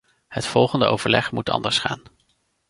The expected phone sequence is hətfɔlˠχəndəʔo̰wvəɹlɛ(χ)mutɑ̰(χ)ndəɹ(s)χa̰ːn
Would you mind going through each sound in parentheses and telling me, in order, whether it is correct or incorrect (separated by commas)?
correct, incorrect, correct